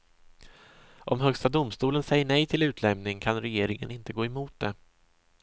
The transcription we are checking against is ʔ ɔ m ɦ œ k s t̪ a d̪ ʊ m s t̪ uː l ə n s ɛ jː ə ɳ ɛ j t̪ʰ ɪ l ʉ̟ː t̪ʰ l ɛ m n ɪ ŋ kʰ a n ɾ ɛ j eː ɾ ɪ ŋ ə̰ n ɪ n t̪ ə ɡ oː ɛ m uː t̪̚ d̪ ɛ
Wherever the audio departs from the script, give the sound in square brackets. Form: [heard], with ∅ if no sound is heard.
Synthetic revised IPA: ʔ ɔ m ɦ œ k s t̪ a d̪ ʊ m s t̪ uː l ə n s ɛ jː ə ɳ ɛ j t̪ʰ ɪ l ʉ̟ː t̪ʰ l ɛ m n ɪ ŋ kʰ a n ɾ ɛ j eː ɾ ɪ ŋ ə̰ n ɪ n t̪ ə ɡ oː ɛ m uː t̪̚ d̪ ɛ